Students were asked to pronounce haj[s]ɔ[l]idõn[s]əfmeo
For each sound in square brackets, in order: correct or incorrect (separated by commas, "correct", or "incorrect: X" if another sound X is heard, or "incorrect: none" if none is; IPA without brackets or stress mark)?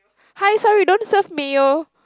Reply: correct, incorrect: ɹ, correct